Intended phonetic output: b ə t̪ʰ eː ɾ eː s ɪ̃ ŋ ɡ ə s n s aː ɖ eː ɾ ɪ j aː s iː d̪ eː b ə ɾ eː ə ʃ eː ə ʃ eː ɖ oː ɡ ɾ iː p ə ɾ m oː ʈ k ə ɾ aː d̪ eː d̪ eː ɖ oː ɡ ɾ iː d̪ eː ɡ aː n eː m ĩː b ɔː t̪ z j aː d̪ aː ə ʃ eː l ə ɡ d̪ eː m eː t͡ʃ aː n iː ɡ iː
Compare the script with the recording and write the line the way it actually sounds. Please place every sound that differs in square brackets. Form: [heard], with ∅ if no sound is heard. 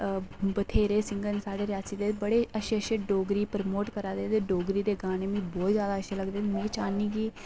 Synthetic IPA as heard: b ə t̪ʰ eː ɾ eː s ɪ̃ ŋ ɡ ə [∅] n s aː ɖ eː ɾ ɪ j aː s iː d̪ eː b ə [ɽ] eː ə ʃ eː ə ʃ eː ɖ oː ɡ ɾ iː p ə ɾ m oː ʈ k ə ɾ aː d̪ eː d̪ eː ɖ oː ɡ ɾ iː d̪ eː ɡ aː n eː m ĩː b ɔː t̪ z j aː d̪ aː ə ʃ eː l ə ɡ d̪ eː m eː t͡ʃ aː n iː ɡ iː